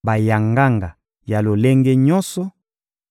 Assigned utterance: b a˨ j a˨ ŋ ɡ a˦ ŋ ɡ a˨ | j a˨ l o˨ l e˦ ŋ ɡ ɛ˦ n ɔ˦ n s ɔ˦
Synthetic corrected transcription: b a˨ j a˨ ŋ ɡ a˦ ŋ ɡ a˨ | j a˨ l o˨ l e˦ ŋ ɡ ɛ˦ ɲ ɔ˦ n s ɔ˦